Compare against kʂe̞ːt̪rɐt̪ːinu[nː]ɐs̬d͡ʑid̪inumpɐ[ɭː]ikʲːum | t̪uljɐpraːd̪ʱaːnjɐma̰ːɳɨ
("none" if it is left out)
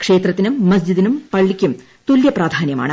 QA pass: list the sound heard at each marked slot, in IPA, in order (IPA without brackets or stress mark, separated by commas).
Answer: mː, ɭː